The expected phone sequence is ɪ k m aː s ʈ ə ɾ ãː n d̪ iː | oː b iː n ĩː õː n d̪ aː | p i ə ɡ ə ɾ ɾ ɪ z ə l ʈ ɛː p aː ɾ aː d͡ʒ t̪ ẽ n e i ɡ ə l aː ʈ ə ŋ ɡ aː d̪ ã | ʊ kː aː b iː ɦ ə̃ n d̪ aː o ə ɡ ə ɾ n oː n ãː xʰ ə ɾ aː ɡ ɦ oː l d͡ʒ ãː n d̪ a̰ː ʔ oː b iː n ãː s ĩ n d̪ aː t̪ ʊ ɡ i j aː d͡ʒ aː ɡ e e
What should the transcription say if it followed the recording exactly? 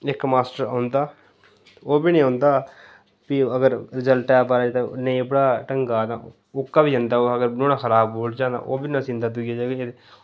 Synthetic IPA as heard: ɪ k m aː s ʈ ə ɾ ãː n d̪ aː | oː b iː n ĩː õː n d̪ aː | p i ə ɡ ə ɾ ɾ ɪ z ə l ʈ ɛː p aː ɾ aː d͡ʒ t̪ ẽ n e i b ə ɽ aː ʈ ə ŋ ɡ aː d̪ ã | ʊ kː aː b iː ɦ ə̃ n d̪ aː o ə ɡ ə ɾ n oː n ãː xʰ ə ɾ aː b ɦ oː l d͡ʒ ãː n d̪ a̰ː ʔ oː b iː n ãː s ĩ n d̪ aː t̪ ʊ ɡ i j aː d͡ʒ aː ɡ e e